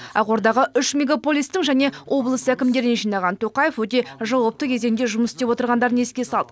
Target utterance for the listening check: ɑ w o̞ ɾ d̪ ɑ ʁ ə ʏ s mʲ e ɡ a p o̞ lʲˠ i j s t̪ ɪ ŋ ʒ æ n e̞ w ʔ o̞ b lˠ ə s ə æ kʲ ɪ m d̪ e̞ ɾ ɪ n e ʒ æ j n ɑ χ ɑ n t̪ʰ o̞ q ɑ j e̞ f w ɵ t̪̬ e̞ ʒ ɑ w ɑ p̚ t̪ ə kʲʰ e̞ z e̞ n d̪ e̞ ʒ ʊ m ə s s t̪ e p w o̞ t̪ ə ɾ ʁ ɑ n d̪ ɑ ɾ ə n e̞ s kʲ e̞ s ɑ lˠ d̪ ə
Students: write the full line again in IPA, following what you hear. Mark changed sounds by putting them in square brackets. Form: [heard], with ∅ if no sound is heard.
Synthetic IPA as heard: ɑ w o̞ ɾ d̪ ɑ ʁ ə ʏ [ʃ] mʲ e ɡ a p o̞ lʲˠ i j s t̪ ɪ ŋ ʒ æ n e̞ w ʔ o̞ b lˠ ə s ə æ kʲ ɪ m d̪ e̞ ɾ ɪ n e ʒ [i] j n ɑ [ʁ] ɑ n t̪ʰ o̞ q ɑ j e̞ f w ɵ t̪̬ e̞ ʒ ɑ w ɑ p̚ t̪ ə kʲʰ e̞ z e̞ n d̪ e̞ ʒ ʊ m ə s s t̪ e p w o̞ t̪ ə ɾ ʁ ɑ n d̪ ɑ ɾ ə n e̞ s kʲ e̞ s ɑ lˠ d̪ ə